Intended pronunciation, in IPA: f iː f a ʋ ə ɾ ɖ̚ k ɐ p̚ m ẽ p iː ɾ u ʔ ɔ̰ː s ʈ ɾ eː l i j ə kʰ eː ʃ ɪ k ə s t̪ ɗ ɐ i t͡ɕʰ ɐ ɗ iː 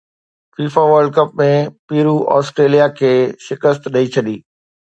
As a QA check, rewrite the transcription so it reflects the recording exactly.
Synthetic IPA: f iː f a ʋ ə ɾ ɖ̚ k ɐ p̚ m ẽ p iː ɾ u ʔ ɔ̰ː s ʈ ɾ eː l i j a kʰ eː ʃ ɪ k ə s t̪ ɗ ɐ i t͡ɕʰ ɐ ɗ iː